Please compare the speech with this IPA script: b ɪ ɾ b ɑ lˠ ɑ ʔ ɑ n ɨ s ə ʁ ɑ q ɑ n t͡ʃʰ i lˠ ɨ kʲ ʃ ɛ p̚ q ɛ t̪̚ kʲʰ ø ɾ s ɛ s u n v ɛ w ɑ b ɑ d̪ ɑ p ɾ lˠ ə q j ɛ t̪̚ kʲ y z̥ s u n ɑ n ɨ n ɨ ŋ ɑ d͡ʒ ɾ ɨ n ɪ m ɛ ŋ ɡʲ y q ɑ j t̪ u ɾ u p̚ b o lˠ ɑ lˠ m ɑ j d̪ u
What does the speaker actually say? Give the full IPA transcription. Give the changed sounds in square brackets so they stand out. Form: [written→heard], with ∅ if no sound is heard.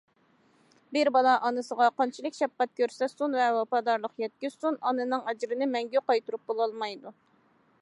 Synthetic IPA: b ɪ ɾ b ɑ lˠ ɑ ʔ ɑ n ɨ s ə ʁ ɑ q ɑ n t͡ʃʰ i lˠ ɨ kʲ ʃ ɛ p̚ q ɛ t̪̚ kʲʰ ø ɾ s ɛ s u n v ɛ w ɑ [b→p] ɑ d̪ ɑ [p→∅] ɾ lˠ ə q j ɛ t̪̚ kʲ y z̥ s u n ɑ n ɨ n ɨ ŋ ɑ d͡ʒ ɾ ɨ n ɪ m ɛ ŋ ɡʲ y q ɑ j t̪ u ɾ u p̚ b o lˠ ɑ lˠ m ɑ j d̪ u